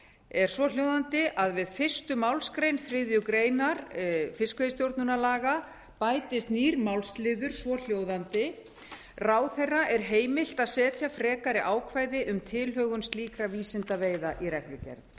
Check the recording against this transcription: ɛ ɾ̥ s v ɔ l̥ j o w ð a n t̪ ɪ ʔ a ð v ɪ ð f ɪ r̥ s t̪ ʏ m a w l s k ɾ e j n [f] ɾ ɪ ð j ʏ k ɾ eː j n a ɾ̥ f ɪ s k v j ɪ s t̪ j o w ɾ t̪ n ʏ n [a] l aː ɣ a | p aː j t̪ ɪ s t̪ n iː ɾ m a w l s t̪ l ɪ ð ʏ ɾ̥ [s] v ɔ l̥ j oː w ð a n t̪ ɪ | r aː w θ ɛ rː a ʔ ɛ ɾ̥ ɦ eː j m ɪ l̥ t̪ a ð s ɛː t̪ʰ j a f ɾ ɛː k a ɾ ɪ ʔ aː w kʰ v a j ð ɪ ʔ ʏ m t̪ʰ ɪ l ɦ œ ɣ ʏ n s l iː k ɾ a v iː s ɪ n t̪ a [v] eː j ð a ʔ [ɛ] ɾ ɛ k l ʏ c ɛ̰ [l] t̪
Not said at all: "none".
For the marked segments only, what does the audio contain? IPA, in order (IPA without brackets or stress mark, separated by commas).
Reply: f, a, s, v, i, ɾ